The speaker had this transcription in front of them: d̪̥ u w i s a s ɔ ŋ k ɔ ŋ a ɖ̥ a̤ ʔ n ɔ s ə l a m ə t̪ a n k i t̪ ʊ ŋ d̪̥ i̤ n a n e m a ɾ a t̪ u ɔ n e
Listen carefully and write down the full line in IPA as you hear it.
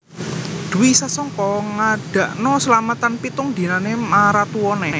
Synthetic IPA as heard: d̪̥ u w i s a s ɔ ŋ k ɔ ŋ a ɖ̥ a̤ ʔ n ɔ s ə l a m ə t̪ a n p i t̪ ʊ ŋ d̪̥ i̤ n a n e m a ɾ a t̪ u ɔ n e